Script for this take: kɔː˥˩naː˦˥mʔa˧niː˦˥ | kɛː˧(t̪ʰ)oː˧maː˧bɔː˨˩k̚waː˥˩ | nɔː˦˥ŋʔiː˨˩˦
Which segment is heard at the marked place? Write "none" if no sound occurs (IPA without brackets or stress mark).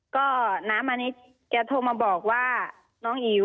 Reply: t̪ʰ